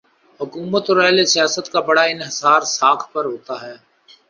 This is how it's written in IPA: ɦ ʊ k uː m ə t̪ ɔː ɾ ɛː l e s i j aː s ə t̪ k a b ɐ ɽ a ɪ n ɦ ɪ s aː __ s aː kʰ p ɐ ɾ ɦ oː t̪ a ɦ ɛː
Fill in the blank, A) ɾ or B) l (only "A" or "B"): A